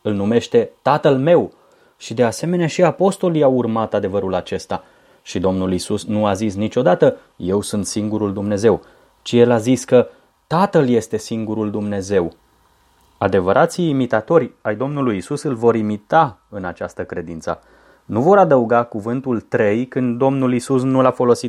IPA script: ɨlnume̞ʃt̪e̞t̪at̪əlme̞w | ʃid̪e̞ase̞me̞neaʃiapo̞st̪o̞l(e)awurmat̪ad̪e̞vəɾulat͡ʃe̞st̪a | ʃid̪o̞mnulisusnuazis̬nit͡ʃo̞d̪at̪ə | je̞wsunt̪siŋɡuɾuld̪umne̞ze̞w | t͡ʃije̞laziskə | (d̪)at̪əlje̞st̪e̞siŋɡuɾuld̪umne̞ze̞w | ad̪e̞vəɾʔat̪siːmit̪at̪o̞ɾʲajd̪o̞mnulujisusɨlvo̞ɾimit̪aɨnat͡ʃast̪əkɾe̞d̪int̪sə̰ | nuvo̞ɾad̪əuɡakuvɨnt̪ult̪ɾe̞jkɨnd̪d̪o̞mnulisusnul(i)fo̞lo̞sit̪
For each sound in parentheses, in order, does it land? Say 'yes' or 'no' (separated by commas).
no, no, no